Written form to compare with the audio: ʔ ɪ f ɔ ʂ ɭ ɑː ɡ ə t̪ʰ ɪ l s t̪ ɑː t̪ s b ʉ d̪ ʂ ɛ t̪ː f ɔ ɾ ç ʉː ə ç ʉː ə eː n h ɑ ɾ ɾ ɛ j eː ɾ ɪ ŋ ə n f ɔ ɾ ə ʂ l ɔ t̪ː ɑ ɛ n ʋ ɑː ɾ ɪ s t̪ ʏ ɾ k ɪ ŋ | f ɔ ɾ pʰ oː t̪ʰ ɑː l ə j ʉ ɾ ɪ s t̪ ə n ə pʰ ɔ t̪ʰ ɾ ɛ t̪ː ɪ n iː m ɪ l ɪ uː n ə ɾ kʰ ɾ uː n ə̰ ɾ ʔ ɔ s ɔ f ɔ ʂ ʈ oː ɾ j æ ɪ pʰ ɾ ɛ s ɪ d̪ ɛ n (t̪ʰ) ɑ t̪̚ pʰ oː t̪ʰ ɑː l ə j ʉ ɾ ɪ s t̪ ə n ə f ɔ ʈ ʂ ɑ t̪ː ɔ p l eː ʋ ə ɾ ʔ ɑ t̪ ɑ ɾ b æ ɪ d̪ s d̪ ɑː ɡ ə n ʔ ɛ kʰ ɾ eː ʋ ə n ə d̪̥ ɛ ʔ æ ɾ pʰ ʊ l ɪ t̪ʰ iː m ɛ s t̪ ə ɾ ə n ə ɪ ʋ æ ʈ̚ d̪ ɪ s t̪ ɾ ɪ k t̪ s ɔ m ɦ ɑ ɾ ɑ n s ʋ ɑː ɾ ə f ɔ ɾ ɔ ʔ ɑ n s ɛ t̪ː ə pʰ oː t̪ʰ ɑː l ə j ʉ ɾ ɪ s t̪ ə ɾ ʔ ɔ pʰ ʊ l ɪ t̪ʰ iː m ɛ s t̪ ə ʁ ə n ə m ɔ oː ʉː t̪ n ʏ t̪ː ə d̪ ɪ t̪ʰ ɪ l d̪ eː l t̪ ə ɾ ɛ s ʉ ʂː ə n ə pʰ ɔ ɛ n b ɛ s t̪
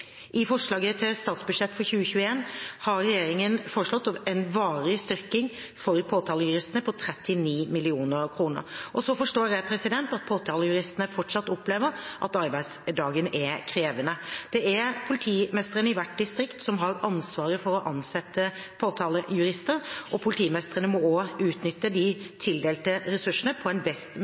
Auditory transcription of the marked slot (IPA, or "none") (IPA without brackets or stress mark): t̪